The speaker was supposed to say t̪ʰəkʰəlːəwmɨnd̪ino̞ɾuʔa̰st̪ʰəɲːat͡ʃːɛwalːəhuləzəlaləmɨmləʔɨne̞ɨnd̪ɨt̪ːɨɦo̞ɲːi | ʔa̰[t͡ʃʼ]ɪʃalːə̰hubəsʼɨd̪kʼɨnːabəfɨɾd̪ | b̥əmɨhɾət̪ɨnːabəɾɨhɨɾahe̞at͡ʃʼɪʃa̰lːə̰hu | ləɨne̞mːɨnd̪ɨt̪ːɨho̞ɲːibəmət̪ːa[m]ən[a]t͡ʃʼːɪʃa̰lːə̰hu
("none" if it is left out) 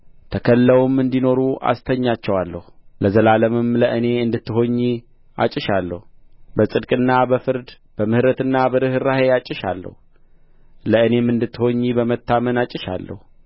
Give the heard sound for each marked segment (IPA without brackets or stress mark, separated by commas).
t͡ʃʼ, m, a